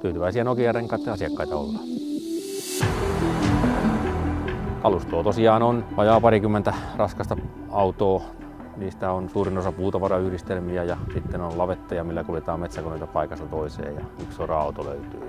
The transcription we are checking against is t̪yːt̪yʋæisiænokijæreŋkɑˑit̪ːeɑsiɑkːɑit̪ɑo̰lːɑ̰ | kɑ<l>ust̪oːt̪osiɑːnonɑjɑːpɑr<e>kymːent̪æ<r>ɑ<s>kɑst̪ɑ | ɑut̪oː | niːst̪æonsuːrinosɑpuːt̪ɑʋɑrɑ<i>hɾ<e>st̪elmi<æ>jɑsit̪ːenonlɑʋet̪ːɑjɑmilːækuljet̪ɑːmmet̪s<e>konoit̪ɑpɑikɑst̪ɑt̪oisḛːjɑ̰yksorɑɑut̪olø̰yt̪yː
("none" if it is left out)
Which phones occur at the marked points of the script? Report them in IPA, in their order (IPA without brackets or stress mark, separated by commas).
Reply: l, i, r, s, y, i, æ, æ